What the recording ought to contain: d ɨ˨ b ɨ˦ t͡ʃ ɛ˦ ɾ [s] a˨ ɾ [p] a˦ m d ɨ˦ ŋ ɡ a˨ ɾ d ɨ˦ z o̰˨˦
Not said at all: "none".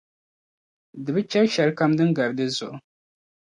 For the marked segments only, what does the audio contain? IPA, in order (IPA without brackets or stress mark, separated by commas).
ʃ, k